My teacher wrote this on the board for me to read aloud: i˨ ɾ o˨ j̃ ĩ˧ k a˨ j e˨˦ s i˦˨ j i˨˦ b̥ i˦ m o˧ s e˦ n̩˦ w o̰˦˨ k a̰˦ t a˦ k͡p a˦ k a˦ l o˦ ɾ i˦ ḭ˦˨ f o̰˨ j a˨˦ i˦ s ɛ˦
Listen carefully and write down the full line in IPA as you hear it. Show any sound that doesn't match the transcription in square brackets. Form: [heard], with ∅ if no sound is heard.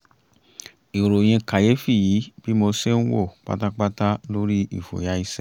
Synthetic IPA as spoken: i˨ ɾ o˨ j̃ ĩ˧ k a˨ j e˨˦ [f] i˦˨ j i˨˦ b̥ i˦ m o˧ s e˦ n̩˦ w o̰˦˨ [k͡p] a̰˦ t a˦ k͡p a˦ [t] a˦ l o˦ ɾ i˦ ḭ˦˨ f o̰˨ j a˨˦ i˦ s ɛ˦